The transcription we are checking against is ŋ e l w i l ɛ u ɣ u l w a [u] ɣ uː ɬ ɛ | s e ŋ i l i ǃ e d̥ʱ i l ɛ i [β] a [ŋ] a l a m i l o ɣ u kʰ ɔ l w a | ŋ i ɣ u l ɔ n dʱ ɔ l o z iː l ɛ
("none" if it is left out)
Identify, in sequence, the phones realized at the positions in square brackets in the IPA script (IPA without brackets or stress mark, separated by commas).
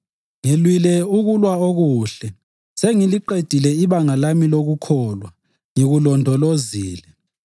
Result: o, β, ŋ